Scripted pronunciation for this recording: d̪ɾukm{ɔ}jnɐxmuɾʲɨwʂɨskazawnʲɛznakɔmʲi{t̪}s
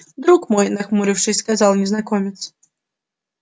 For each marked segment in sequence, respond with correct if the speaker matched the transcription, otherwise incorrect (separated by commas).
correct, correct